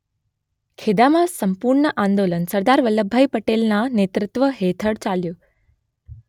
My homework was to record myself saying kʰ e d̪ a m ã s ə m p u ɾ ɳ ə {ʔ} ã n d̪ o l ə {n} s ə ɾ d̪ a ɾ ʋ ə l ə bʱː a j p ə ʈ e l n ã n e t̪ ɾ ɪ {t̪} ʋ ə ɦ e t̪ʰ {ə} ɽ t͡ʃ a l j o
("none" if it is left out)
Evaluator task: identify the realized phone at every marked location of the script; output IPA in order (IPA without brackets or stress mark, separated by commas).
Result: ʔ, n, t̪, ə